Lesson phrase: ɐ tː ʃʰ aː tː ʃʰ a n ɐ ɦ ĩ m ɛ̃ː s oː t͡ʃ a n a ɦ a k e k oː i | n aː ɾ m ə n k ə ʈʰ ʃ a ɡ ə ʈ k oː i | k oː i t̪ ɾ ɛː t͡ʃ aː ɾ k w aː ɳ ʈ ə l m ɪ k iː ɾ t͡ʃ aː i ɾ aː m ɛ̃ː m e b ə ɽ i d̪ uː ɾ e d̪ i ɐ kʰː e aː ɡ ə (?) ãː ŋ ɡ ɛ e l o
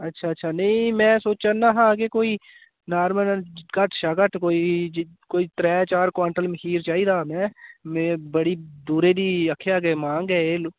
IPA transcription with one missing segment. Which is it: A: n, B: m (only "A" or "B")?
B